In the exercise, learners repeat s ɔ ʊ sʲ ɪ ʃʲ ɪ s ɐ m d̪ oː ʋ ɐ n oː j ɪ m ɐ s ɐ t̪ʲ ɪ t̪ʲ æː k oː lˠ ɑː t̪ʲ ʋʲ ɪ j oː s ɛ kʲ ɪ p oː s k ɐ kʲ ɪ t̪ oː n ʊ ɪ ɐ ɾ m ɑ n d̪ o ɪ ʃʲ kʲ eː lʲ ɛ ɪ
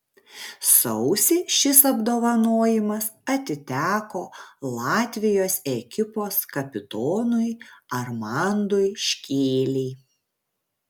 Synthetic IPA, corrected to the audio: s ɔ ʊ sʲ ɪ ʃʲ ɪ s ɐ b d̪ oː ʋ ɐ n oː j ɪ m ɐ s ɐ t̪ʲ ɪ t̪ʲ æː k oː lˠ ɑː t̪ʲ ʋʲ ɪ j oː s ɛ kʲ ɪ p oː s k ɐ pʲ ɪ t̪ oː n ʊ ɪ ɐ ɾ m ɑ n d̪ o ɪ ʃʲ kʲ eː lʲ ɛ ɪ